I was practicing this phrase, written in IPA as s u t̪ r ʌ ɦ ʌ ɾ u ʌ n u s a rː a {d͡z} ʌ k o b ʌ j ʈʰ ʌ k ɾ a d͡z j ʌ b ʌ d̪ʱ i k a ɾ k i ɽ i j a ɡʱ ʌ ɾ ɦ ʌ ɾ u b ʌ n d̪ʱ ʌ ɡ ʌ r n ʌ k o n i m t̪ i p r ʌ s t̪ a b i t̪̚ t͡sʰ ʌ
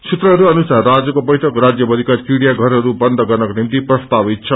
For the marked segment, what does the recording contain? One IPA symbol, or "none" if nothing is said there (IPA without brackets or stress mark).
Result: d͡z